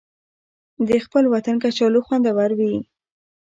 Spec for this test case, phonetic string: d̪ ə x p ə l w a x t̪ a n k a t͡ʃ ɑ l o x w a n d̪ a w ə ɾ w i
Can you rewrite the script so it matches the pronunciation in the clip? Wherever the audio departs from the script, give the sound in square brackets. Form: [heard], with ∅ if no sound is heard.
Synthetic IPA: d̪ ə x p ə l w a [∅] t̪ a n k a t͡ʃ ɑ l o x w a n d̪ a w [a] ɾ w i